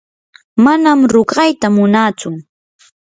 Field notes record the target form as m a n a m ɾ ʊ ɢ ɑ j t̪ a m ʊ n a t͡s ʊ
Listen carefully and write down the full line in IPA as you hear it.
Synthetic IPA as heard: m a n a m ɾ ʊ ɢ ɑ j t̪ a m ʊ n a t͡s ʊ